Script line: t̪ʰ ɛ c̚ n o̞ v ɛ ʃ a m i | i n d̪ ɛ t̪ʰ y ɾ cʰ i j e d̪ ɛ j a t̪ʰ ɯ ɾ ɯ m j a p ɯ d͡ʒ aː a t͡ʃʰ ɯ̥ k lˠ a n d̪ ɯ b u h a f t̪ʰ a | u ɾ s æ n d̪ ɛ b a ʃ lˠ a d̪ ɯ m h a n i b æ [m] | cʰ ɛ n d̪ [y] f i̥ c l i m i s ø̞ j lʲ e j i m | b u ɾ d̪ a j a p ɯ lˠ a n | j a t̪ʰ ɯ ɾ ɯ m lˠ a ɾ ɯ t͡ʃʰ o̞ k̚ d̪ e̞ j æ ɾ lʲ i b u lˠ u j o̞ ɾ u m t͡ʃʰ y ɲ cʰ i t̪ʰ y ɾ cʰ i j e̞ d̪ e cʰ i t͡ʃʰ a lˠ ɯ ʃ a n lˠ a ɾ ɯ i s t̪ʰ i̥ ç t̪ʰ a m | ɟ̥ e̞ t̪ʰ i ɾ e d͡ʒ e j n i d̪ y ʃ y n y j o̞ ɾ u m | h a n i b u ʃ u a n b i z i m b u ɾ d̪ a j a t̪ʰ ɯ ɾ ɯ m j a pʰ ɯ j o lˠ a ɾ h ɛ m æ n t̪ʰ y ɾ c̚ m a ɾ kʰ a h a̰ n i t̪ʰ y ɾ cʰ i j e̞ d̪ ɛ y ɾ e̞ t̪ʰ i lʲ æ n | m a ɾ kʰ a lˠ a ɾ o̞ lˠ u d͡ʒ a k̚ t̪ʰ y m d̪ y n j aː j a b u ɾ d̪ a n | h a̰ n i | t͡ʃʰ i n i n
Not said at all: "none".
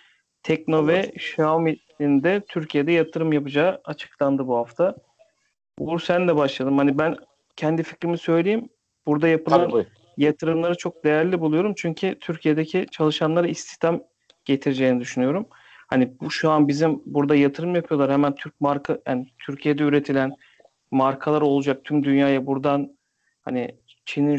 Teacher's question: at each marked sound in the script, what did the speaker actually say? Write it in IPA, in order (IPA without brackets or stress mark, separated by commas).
n, i